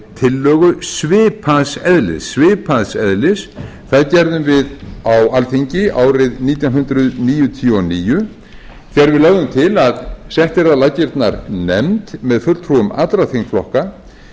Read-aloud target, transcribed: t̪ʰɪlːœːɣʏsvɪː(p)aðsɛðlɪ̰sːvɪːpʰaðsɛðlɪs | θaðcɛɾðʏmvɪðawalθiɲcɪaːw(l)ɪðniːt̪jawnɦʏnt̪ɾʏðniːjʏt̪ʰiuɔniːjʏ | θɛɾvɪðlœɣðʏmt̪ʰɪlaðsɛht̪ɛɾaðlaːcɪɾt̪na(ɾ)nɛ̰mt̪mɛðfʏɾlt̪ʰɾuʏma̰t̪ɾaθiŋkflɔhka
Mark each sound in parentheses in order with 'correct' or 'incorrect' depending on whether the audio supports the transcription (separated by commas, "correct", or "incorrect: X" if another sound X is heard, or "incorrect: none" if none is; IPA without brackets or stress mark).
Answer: incorrect: pʰ, incorrect: ɾ, correct